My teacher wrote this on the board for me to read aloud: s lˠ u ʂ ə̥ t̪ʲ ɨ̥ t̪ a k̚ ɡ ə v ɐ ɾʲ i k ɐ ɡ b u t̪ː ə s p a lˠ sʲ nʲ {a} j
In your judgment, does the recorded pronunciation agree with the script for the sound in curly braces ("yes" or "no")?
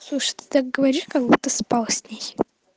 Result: no